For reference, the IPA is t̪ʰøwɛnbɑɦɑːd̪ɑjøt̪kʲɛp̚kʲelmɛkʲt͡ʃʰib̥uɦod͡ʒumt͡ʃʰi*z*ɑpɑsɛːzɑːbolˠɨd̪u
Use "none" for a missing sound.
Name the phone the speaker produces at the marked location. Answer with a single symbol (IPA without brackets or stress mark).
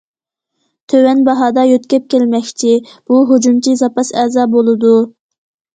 z